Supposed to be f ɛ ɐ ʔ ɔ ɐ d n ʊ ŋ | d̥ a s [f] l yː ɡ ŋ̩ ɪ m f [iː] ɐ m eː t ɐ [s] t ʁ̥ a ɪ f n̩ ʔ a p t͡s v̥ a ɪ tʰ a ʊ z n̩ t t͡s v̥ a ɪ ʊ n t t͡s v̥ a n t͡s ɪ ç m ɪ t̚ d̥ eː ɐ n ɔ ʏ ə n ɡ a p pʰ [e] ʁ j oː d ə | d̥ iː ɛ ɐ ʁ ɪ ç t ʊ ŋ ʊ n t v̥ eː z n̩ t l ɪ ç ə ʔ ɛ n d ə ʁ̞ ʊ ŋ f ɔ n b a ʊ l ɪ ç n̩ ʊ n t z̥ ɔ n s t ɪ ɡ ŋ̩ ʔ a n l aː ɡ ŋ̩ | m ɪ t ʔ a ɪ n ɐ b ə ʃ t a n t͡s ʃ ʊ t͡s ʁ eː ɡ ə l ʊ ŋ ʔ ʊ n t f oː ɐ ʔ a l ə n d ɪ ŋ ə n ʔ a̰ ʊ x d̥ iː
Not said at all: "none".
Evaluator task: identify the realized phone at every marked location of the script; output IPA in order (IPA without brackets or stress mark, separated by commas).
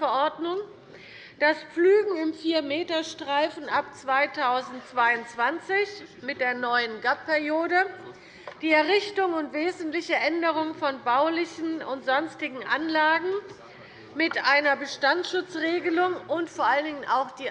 p͡f, iː, ʃ, ɛ